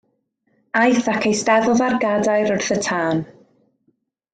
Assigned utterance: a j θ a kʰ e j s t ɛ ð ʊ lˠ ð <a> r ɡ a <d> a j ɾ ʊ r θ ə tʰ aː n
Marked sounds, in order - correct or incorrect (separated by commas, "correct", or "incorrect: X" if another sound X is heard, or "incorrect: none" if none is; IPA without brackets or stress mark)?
correct, correct